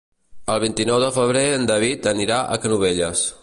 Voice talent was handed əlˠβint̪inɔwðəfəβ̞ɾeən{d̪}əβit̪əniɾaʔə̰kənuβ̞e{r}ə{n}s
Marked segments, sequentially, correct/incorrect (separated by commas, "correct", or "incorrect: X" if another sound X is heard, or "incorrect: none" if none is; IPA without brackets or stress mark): correct, incorrect: ʎ, incorrect: none